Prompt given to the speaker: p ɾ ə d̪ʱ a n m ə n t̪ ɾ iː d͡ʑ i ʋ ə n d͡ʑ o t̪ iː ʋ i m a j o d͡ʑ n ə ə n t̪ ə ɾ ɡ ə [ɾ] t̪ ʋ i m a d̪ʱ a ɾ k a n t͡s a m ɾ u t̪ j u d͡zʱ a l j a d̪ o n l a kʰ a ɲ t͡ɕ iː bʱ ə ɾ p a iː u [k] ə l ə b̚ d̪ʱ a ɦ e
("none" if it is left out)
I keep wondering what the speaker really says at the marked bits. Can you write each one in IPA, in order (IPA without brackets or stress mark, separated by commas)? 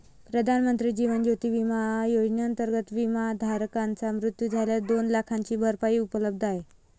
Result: none, p